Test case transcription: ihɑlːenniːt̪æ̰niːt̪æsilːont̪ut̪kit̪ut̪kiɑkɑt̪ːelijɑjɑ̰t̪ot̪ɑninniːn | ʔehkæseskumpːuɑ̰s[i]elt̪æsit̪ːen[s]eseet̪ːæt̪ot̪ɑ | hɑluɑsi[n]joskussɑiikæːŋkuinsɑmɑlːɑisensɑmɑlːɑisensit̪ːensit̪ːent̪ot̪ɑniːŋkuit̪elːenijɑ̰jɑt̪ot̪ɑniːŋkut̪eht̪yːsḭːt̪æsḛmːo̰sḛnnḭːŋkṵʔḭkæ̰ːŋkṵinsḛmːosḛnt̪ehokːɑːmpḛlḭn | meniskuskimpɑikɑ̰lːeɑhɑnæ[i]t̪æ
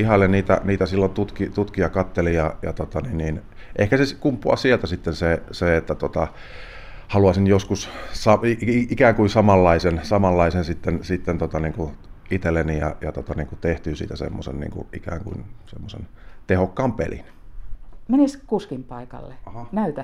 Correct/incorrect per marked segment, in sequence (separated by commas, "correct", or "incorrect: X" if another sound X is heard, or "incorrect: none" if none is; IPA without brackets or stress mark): correct, correct, correct, incorrect: y